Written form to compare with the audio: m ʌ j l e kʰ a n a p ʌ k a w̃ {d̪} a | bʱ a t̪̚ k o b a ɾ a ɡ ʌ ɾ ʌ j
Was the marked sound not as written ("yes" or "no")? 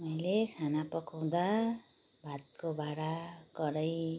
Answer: no